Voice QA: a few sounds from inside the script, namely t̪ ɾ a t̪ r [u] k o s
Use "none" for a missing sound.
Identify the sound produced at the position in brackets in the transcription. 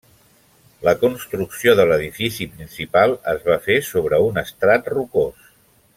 u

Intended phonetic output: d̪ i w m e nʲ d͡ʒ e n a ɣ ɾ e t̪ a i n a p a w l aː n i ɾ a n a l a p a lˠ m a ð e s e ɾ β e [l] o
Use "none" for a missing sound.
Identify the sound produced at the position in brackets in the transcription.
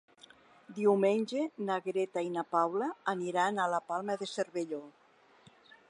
ʎ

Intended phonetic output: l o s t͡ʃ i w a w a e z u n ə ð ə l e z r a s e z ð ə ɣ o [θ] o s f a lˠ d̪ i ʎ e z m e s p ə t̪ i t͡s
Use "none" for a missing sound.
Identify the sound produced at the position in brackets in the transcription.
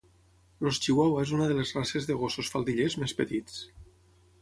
s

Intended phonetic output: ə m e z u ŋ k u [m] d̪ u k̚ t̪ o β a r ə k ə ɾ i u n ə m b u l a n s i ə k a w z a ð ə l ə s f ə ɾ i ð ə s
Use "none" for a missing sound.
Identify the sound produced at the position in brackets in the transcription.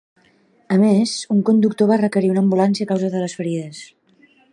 n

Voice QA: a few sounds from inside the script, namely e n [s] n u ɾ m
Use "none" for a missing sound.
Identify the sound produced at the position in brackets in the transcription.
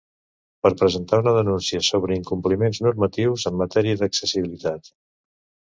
z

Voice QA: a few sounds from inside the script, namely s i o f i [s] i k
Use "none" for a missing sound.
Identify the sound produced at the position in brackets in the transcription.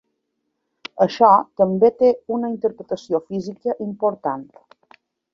z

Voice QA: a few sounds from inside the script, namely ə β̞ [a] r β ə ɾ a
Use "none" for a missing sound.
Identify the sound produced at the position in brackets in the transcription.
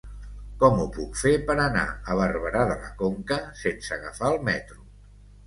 ə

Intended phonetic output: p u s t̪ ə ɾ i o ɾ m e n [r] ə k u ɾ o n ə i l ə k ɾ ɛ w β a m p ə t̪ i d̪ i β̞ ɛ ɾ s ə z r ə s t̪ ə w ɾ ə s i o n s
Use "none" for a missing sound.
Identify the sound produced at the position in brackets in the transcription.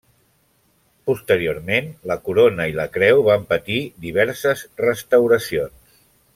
l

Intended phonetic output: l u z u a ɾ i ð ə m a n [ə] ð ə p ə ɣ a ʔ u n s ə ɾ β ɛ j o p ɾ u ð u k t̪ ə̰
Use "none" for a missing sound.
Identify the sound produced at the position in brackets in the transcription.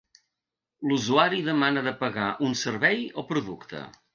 ə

